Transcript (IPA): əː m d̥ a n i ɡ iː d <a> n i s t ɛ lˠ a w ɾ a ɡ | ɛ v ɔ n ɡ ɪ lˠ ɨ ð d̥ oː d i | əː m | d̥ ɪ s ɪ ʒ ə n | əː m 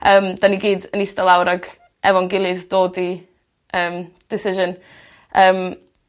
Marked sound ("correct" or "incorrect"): incorrect